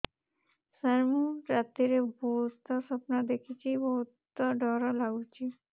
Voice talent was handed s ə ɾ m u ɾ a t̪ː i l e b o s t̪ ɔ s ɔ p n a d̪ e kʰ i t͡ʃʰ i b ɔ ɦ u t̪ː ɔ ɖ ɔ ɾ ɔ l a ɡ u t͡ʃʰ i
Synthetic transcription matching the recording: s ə ɾ m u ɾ a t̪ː i ɾ e b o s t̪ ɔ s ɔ p n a d̪ e kʰ i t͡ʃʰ i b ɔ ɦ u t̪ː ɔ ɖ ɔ ɾ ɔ l a ɡ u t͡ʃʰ i

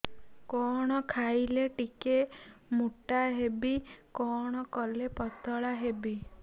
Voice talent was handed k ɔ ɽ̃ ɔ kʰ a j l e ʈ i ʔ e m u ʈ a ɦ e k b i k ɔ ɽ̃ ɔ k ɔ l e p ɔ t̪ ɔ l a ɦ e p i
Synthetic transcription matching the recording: k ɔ ɽ̃ ɔ kʰ a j l e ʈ i k e m u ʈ a ɦ e b i k ɔ ɽ̃ ɔ k ɔ l e p ɔ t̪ ɔ ɭ a ɦ e b i

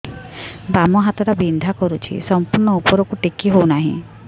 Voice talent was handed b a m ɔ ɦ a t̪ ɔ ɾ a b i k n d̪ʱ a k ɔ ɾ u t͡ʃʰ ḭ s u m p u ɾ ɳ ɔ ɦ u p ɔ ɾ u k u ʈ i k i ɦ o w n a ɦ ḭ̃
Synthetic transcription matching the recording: b a m ɔ ɦ a t̪ ɔ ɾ a b i n d̪ʱ a k ɔ ɾ u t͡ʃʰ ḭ s ɔ m p u ɾ ɳ ɔ u p ɔ ɾ ɔ k u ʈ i k i ɦ o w n a ɦ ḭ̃

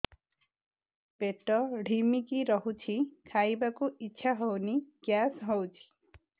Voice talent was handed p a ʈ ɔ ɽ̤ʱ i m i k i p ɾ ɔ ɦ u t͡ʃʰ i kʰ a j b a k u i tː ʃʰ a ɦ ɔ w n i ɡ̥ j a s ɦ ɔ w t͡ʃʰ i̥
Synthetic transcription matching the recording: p e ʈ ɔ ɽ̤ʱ i m i k i ɾ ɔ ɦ u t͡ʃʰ i kʰ a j b a k u i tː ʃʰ a ɦ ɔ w n i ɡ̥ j a s ɦ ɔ w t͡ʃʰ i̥

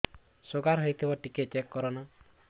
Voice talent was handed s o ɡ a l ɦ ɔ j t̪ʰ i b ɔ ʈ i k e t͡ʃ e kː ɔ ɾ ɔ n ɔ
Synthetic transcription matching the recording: s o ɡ a ɾ ɦ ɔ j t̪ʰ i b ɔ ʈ i k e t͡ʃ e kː ɔ ɾ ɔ n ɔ

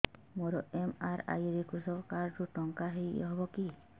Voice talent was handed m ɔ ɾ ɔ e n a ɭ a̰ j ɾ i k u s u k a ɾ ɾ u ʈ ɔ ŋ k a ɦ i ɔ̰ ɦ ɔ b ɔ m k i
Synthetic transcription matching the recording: m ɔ ɾ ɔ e m a ɾ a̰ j ɾ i k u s ɔ k a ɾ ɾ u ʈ ɔ ŋ k a ɦ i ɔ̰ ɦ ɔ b ɔ k i

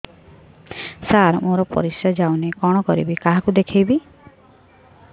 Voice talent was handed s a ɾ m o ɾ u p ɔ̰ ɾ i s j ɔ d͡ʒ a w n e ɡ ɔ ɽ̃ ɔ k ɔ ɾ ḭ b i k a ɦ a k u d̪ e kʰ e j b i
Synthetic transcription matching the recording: s a ɾ m o ɾ ɔ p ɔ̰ ɾ i s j ɔ d͡ʒ a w n e k ɔ ɽ̃ ɔ k ɔ ɾ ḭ b i k a ɦ a k u d̪ e kʰ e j b i

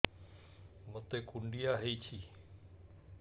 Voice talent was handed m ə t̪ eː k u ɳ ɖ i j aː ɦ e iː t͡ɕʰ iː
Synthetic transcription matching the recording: m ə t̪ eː k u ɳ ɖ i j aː ɦ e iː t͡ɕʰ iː

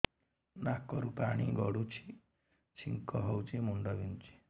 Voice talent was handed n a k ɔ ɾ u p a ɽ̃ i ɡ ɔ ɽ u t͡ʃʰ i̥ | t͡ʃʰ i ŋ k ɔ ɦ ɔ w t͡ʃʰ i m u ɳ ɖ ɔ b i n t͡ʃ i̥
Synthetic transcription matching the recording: n a k ɔ ɾ u p a ɽ̃ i ɡ ɔ ɽ u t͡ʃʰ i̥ | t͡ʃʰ i ŋ k ɔ ɦ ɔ w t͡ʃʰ i m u ɳ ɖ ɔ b i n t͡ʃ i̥

